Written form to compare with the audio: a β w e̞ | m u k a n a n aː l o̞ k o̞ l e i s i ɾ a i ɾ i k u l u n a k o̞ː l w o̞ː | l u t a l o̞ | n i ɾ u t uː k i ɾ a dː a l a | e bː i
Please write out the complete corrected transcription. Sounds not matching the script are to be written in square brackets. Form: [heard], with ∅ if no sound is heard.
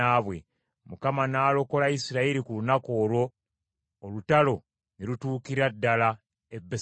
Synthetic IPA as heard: a β w e̞ | m u k a [m] a n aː l o̞ k o̞ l [a] i s i ɾ a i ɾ i k u l u n a k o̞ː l w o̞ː | l u t a l o̞ | n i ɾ u t uː k i ɾ a dː a l a | e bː [e]

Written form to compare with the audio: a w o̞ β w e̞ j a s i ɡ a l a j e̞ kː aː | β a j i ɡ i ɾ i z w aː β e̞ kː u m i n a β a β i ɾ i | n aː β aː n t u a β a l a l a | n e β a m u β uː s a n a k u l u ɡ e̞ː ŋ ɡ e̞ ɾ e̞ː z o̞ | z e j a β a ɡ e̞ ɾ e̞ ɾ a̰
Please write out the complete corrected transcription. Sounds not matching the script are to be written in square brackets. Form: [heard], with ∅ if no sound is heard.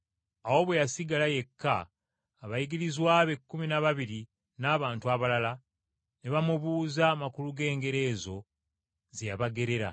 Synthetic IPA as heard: a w o̞ β w e̞ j a s i ɡ a l a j e̞ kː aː | β a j i ɡ i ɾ i z w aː β e̞ kː u m i n a β a β i ɾ i | n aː β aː n t u a β a l a l a | n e β a m u β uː [z] a [m] a k u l u ɡ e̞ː ŋ ɡ e̞ ɾ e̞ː z o̞ | z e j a β a ɡ e̞ ɾ e̞ ɾ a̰

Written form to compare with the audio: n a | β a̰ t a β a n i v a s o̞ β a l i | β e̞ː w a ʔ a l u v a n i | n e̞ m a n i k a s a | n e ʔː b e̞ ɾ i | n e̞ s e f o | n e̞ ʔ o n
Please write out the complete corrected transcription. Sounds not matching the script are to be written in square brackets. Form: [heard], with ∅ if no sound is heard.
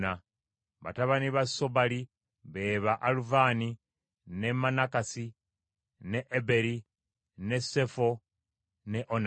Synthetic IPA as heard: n a | β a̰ t a β a n i [β] a s o̞ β a l i | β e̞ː [β] a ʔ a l u v a n i | n e̞ m a n [a] k a s [i] | n e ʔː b e̞ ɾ i | n e̞ s e f o | n e̞ ʔ o n

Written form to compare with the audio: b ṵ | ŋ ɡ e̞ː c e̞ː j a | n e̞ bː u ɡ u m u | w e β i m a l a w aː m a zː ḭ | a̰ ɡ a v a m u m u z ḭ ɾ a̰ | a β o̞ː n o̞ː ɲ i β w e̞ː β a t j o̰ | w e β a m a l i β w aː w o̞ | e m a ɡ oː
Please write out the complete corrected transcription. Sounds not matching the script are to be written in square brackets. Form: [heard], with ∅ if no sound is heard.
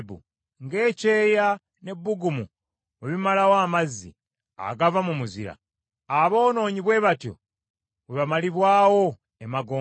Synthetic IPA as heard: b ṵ | ŋ ɡ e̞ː c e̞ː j a | n e̞ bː u ɡ u m u | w e β i m a l a w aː m a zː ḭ | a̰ ɡ a v a m u m u z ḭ ɾ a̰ | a β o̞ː n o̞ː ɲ i β w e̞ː β a t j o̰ | w e β a m a l i β w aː w o̞ | e m a ɡ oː

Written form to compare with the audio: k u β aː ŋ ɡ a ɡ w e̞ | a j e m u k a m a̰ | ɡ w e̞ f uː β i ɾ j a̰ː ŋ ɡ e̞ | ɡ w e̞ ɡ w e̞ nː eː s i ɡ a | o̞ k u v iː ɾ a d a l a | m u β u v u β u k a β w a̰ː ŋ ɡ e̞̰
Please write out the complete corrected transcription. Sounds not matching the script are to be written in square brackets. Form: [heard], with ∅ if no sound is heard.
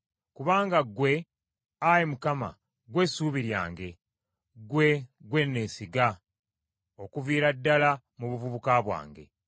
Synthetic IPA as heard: k u β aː ŋ ɡ a ɡ w e̞ | a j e m u k a m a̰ | ɡ w e̞ [s] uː β i ɾ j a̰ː ŋ ɡ e̞ | ɡ w e̞ ɡ w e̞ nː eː s i ɡ a | o̞ k u v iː ɾ a [dː] a l a | m u β u v u β u k a β w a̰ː ŋ ɡ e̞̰

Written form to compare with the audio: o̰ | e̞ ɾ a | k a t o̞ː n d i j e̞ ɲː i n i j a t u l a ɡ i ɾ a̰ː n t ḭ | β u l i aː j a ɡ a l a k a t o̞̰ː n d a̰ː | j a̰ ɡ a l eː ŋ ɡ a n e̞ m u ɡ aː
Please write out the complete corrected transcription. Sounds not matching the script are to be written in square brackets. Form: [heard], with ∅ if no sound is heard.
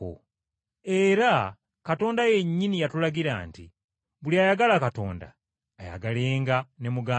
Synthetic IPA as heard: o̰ | e̞ ɾ a | k a t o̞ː n d [a] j e̞ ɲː i n i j a t u l a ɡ i ɾ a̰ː n t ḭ | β u l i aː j a ɡ a l a k a t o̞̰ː n d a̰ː | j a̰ ɡ a l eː ŋ ɡ a n e̞ m u ɡ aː

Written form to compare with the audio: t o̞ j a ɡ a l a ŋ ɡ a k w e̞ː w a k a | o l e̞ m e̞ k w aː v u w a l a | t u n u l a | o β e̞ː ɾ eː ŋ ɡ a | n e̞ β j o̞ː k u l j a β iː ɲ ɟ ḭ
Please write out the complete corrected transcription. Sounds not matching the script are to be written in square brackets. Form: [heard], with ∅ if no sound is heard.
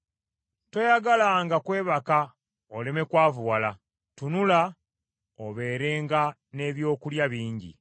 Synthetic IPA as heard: t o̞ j a ɡ a l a ŋ ɡ a k w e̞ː [β] a k a | o l e̞ m e̞ k w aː v u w a l a | t u n u l a | o β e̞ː ɾ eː ŋ ɡ a | n e̞ β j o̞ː k u l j a β iː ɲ ɟ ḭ

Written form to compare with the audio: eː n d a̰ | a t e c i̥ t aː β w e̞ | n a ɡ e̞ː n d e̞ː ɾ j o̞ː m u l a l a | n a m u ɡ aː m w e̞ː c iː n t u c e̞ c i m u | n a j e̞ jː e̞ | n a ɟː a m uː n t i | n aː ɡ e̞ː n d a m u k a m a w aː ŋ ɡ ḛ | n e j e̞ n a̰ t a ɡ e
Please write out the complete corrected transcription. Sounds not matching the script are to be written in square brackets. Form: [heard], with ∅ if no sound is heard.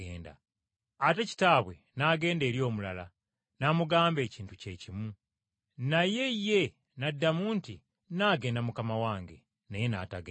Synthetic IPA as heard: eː n d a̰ | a t e c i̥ t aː β w e̞ | n a ɡ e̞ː n d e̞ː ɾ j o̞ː m u l a l a | n a m u ɡ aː m [b] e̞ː c iː n t u c e̞ c i m u | n a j e̞ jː e̞ | n a [dː] a m uː n t i | n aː ɡ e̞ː n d a m u k a m a w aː ŋ ɡ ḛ | n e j e̞ n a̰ t a ɡ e

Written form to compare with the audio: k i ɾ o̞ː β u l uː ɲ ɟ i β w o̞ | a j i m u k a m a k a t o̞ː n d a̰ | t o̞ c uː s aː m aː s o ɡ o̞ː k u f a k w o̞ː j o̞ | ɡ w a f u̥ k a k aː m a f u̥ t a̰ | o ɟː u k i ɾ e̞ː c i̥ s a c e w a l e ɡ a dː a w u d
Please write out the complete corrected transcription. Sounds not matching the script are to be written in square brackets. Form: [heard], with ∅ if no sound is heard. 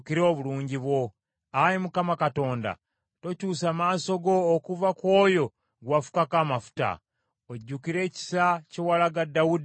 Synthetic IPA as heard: k i ɾ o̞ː β u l uː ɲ ɟ i β w o̞ | a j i m u k a m a k a t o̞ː n d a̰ | t o̞ c uː s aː m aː s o ɡ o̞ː k u [v] a k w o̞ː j o̞ | ɡ w a f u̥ k a k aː m a f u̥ t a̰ | o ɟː u k i ɾ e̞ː c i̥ s a c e w a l [a] ɡ a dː a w u d

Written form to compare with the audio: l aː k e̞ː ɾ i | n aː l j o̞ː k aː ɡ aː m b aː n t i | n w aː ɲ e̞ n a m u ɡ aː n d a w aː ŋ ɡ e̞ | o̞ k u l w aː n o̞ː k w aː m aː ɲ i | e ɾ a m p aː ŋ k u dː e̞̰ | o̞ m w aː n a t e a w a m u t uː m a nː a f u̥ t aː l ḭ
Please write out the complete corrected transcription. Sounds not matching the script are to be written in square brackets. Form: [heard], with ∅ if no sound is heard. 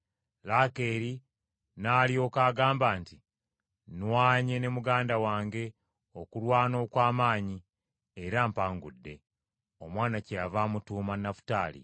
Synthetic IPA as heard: l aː k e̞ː ɾ i | n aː l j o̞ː k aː ɡ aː m b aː n t i | n w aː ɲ e̞ n [e] m u ɡ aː n d a w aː ŋ ɡ e̞ | o̞ k u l w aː n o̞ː k w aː m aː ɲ i | e ɾ a m p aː ŋ [ɡ] u dː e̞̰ | o̞ m w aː n a [c] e a [v] a m u t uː m a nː a f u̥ t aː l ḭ

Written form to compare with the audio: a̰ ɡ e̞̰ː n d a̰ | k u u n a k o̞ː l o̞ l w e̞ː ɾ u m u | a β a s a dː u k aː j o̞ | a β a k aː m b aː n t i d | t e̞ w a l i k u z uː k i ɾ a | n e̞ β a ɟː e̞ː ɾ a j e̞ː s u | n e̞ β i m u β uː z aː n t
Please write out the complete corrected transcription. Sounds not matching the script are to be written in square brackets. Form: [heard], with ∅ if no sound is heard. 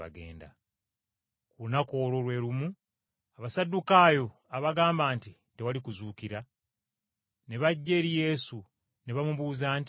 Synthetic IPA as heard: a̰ ɡ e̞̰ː n d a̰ | k u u n a k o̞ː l o̞ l w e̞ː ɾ u m u | a β a s a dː u k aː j o̞ | a β a [ɡ] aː m b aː n t i [∅] | t e̞ w a l i k u z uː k i ɾ a | n e̞ β a ɟː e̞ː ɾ [i] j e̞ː s u | n e̞ β [a] m u β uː z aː n t

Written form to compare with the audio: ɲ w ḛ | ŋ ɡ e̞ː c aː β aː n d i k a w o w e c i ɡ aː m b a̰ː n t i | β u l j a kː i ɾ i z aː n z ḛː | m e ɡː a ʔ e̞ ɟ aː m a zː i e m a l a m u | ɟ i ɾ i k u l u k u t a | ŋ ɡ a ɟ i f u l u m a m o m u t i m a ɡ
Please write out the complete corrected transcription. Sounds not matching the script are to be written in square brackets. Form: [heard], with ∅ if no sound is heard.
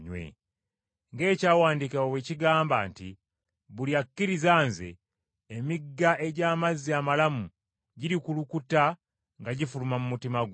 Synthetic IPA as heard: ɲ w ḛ | ŋ ɡ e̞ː c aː [w] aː n d i k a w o w e c i ɡ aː m b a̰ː n t i | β u l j a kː i ɾ i z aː n z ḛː | m [i] ɡː a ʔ e̞ ɟ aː m a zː i [a] m a l a m u | ɟ i ɾ i k u l u k u t a | ŋ ɡ a ɟ i f u l u m a m [u] m u t i m a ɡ

